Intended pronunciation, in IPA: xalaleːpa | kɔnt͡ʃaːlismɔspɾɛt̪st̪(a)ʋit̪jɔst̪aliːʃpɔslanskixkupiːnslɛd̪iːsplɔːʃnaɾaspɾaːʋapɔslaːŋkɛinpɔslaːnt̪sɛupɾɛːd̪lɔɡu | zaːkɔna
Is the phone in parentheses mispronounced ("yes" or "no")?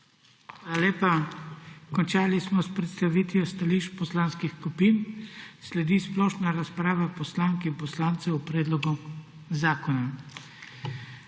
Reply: no